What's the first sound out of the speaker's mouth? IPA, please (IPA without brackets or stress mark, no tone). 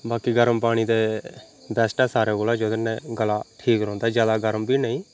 b